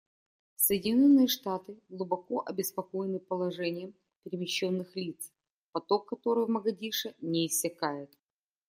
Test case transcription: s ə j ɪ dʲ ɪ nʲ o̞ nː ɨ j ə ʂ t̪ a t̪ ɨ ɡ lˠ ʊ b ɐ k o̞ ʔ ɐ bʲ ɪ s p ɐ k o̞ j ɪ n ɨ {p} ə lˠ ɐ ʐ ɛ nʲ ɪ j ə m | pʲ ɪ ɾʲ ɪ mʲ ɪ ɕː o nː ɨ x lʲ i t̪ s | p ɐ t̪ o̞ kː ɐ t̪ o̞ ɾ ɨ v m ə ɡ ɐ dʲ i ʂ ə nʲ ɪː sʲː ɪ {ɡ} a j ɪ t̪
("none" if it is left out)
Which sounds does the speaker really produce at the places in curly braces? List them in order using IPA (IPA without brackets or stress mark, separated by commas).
p, k